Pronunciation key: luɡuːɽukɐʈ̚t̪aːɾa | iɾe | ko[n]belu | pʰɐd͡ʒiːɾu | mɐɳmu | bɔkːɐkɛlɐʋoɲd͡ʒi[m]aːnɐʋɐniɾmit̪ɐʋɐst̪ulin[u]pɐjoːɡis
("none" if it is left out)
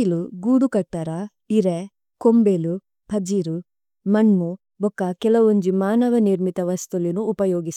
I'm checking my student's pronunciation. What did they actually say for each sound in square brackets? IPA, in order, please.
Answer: m, m, uː

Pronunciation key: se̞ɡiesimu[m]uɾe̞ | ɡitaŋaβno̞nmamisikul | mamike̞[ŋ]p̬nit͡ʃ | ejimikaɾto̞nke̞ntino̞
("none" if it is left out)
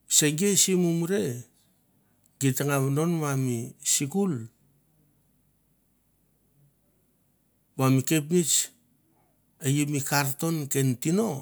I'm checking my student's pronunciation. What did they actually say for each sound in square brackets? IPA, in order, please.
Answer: m, none

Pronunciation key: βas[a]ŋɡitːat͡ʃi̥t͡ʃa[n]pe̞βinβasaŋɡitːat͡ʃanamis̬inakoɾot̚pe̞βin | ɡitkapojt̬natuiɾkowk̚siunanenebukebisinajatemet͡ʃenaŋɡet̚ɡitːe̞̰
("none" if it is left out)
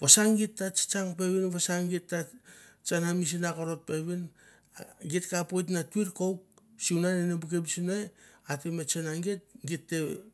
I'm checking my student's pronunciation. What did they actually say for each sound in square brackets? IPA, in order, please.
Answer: a, ŋ

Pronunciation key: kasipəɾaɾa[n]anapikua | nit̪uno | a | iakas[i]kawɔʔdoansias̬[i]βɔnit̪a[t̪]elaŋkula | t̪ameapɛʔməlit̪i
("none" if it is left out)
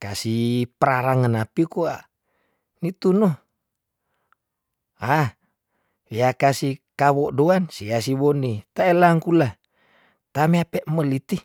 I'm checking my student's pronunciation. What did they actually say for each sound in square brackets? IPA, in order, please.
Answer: ŋ, i, i, none

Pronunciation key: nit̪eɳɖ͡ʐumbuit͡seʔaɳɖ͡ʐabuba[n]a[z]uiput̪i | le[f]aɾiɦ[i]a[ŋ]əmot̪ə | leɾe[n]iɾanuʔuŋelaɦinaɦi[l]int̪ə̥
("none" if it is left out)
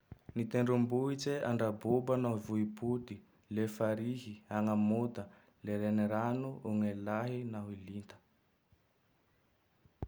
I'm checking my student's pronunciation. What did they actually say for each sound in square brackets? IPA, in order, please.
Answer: n, v, f, i, ŋ, n, l

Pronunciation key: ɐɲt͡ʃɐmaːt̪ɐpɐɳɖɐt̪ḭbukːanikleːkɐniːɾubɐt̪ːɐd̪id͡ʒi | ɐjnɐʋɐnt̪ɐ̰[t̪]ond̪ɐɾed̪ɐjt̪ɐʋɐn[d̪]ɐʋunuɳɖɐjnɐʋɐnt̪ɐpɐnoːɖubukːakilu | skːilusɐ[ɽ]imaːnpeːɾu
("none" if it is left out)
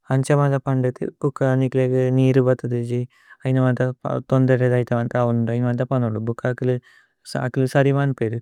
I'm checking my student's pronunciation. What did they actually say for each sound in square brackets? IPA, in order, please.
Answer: t̪, t̪, ɾ

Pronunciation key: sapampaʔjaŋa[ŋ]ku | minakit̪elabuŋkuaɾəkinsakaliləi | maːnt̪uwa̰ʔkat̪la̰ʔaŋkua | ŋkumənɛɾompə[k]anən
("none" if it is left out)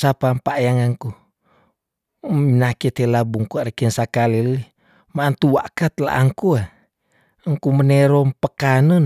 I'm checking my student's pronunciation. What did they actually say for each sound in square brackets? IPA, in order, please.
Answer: ŋ, k

